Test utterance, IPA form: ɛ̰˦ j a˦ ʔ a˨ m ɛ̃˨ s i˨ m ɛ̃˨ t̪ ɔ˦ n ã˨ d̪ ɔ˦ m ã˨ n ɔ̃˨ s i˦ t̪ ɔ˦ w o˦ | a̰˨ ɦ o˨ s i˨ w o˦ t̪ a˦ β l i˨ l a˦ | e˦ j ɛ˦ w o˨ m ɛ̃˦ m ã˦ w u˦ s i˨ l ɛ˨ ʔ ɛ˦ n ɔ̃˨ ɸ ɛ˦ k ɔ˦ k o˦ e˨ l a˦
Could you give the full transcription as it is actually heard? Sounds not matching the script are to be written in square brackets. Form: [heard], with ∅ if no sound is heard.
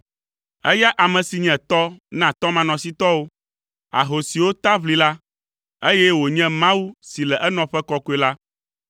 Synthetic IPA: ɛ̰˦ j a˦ ʔ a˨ m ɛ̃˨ s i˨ [ɲ] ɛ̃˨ t̪ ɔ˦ n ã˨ [t̪] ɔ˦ m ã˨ n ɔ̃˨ s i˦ t̪ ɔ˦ w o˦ | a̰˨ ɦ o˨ s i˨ w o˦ t̪ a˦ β l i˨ l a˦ | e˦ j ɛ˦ w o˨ [ɲ] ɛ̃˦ m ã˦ w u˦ s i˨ l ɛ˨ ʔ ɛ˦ n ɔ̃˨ ɸ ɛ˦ k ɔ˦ k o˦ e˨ l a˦